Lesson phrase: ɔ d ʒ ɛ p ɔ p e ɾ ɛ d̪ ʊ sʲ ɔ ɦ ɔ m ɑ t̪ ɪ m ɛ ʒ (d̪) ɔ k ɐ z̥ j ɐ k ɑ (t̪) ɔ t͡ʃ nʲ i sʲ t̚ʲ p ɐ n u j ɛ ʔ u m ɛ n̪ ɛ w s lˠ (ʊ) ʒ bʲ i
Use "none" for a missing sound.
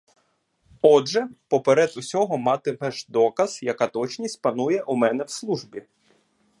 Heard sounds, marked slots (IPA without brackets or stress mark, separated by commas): d̪, t̪, u